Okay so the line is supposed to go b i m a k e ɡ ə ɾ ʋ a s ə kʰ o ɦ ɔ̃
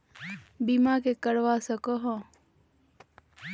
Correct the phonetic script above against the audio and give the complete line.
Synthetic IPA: b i m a k e k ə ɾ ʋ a s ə k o ɦ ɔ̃

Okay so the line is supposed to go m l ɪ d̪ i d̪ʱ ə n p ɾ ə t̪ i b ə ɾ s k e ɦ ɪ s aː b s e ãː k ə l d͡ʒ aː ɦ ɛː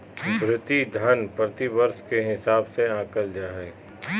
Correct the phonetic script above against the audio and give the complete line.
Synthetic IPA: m ɾ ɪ t̪ i d̪ʱ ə n p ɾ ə t̪ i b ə ɾ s k e ɦ ɪ s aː b s e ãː k ə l d͡ʒ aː ɦ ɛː

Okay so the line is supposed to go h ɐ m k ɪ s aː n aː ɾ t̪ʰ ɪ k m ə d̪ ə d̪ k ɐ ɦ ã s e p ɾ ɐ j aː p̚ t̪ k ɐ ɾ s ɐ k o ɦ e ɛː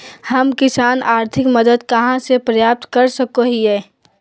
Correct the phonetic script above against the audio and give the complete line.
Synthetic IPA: h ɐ m k ɪ s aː n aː ɾ t̪ʰ ɪ k m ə d̪ ə d̪ k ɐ ɦ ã s e p ɾ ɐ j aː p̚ t̪ k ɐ ɾ s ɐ k o ɦ i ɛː

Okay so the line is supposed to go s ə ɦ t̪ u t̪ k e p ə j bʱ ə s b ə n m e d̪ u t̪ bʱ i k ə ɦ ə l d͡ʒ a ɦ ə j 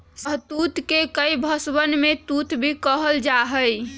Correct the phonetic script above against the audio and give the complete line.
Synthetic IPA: s ə ɦ t̪ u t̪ k e k ə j bʱ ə s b ə n m e t̪ u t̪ bʱ i k ə ɦ ə l d͡ʒ a ɦ ə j

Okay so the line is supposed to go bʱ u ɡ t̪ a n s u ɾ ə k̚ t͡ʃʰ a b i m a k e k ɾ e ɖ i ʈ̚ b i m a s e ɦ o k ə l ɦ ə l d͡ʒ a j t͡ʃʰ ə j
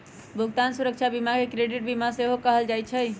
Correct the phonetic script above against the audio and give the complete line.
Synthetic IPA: bʱ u ɡ t̪ a n s u ɾ ə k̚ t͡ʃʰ a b i m a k e k ɾ e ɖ i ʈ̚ b i m a s e ɦ o k ə ɦ ə l d͡ʒ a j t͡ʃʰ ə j

